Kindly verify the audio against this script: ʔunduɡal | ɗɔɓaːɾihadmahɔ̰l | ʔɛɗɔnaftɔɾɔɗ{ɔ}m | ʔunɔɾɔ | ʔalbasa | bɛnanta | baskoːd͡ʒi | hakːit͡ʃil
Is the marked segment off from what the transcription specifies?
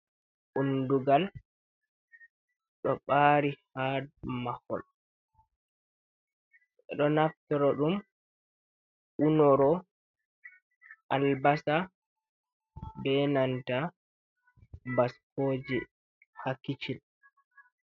yes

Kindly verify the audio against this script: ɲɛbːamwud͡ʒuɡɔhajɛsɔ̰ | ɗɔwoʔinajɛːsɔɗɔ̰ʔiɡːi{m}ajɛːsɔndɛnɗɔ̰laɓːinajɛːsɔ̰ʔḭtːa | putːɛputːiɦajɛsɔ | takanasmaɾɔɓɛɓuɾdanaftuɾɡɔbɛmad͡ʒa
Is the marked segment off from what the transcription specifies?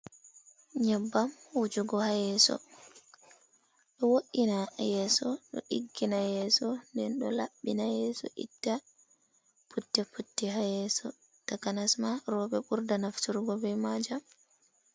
yes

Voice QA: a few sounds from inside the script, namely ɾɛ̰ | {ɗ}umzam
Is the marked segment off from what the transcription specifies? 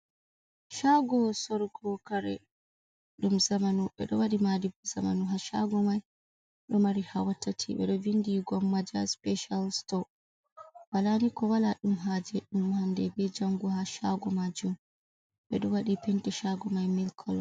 no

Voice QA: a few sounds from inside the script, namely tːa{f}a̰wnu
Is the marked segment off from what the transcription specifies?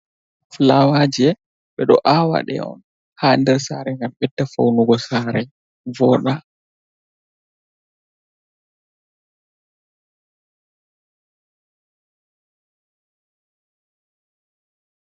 no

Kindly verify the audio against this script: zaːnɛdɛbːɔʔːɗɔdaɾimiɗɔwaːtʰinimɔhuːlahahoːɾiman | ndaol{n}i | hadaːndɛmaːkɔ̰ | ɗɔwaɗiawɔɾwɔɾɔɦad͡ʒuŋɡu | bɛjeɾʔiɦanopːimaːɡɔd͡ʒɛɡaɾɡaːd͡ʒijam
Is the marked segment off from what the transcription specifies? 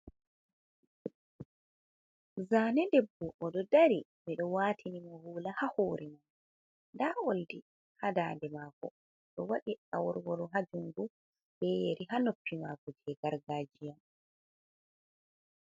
yes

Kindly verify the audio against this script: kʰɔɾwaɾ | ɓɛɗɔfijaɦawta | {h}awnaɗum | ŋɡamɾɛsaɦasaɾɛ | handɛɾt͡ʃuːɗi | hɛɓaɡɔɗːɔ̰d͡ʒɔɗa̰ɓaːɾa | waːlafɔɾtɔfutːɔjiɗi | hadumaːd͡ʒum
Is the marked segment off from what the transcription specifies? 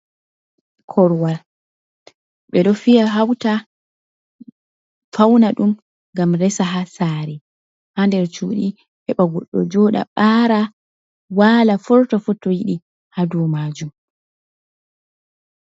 yes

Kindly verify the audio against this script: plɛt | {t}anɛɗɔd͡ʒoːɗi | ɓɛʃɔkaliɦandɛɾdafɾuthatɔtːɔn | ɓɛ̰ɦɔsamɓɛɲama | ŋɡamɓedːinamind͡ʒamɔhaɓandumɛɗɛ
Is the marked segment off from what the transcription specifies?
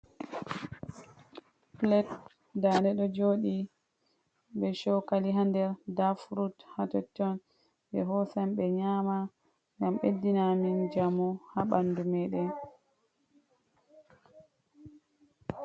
yes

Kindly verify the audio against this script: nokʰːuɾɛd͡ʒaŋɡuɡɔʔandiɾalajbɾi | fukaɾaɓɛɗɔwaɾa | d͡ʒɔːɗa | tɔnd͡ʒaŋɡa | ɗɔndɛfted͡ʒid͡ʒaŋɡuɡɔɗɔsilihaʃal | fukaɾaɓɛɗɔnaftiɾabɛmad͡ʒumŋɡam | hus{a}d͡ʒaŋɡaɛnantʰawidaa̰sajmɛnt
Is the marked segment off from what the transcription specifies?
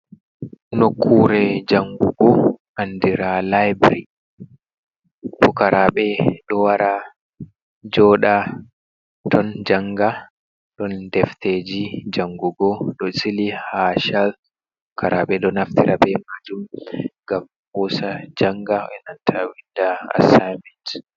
no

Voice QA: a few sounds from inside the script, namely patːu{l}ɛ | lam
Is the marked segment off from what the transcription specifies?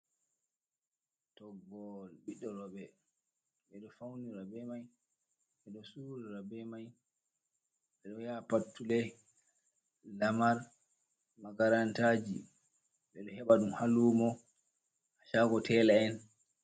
no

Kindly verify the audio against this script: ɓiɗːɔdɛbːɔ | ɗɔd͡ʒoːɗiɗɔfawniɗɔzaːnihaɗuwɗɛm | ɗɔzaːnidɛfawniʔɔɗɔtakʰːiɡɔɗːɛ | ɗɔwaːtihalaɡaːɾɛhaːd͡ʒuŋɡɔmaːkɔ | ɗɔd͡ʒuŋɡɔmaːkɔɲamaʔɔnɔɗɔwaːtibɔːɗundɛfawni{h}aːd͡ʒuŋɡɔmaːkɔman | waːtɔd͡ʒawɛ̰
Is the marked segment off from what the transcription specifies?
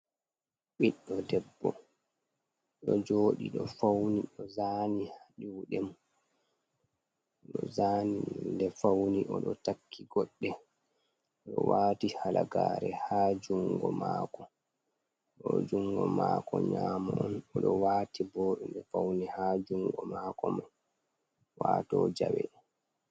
no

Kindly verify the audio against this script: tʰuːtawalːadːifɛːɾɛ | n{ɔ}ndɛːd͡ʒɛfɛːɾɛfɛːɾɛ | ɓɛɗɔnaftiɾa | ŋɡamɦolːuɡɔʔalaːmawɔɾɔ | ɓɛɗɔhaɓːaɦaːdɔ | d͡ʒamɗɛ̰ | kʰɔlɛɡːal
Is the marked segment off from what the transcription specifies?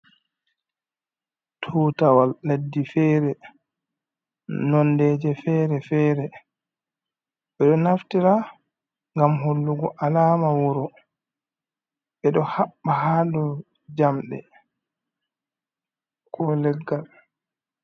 no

